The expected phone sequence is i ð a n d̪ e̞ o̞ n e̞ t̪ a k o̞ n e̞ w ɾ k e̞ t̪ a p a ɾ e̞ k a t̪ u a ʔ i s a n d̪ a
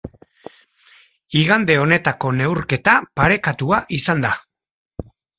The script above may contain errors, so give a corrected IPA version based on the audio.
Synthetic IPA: i ɣ a n d̪ e̞ o̞ n e̞ t̪ a k o̞ n e̞ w ɾ k e̞ t̪ a p a ɾ e̞ k a t̪ u a ʔ i s a n d̪ a